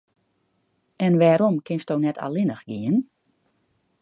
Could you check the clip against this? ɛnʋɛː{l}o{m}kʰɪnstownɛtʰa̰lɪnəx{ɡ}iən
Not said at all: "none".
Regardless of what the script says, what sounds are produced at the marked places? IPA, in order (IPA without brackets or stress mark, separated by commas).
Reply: ɾ, m, ɡ